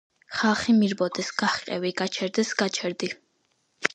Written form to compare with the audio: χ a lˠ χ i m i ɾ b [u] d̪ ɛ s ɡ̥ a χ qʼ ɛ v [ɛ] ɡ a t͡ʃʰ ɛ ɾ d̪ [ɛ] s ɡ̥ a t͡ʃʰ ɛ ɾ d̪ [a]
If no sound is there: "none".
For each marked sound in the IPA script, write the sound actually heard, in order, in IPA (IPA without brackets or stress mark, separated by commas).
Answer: ɔ, i, ɛ, i